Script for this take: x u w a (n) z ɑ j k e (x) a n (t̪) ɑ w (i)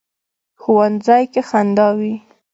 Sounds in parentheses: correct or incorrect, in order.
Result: correct, correct, incorrect: d̪, correct

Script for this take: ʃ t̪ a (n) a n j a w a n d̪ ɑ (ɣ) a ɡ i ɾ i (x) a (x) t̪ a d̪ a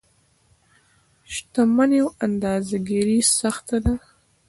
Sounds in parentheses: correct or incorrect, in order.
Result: incorrect: m, incorrect: z, incorrect: s, correct

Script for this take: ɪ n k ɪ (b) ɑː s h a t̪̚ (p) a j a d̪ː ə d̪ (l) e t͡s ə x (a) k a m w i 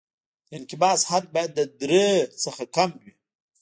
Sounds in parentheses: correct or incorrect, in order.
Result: correct, incorrect: b, incorrect: ɾ, correct

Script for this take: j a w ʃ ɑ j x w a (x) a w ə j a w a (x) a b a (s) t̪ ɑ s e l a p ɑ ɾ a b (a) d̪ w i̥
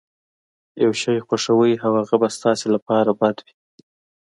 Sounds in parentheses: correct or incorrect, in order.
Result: incorrect: ʂ, incorrect: ɣ, correct, correct

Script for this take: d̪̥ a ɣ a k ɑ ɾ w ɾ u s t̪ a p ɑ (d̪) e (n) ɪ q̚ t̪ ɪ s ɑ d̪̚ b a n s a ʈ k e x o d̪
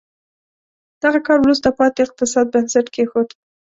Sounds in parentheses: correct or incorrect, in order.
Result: incorrect: t̪, incorrect: none

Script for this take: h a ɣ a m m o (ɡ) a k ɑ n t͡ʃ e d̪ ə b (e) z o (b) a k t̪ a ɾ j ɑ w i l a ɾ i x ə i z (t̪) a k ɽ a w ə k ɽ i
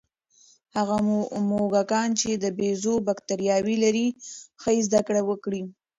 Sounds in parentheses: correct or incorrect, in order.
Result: correct, correct, correct, incorrect: d̪

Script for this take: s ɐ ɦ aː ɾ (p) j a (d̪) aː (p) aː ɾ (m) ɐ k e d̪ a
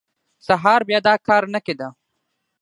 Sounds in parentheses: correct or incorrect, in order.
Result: incorrect: b, correct, incorrect: k, incorrect: n

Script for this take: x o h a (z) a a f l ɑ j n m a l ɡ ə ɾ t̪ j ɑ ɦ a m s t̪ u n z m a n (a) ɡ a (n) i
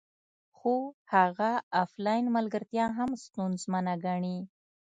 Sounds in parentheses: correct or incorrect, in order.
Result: incorrect: ɣ, correct, incorrect: ɳ

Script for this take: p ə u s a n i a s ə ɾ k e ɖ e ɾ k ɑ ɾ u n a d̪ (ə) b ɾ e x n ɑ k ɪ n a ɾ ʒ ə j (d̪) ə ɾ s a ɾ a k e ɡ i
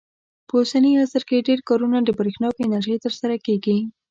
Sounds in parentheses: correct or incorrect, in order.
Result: correct, incorrect: t̪

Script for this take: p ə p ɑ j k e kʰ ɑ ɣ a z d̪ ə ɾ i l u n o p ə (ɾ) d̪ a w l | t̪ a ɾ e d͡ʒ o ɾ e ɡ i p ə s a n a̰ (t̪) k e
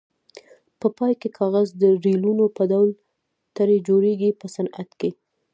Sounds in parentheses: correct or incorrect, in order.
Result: incorrect: none, correct

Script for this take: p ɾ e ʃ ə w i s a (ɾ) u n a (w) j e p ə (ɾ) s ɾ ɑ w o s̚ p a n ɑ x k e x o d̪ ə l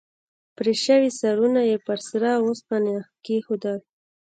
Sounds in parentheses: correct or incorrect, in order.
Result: correct, incorrect: none, correct

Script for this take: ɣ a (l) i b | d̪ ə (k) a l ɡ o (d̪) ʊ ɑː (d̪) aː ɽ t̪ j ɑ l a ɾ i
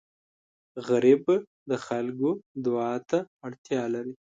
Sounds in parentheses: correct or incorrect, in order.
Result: incorrect: ɾ, incorrect: x, correct, incorrect: t̪

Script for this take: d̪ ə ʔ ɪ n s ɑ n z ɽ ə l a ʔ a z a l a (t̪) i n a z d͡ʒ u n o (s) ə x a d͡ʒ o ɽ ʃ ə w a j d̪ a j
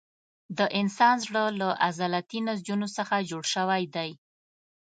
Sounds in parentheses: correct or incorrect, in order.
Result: correct, correct

